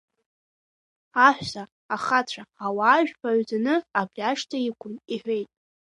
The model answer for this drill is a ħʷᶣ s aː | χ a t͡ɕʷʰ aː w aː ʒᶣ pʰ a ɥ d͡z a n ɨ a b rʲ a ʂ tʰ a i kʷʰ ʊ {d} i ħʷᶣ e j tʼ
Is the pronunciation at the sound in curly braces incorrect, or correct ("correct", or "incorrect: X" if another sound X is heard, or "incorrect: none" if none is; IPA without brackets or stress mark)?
incorrect: n